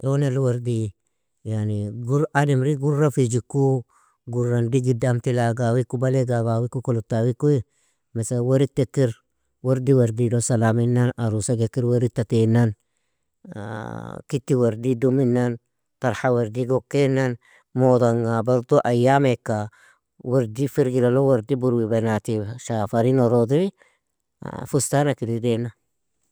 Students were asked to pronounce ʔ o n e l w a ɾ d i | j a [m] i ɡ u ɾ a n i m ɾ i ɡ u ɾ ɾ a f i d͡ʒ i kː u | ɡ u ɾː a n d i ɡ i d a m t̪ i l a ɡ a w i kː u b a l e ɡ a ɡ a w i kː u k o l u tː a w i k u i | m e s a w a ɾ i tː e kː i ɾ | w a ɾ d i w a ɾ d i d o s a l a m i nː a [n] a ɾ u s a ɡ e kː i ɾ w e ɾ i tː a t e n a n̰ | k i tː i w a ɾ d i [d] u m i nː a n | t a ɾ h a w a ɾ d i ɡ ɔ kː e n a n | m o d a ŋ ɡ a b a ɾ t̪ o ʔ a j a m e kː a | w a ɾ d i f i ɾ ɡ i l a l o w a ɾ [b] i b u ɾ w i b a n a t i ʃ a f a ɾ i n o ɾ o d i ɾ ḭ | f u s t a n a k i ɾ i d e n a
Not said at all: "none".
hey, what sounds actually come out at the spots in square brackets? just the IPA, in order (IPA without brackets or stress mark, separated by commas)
n, n, d, d